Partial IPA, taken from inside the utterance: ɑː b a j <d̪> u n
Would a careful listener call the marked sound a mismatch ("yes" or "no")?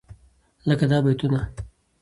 yes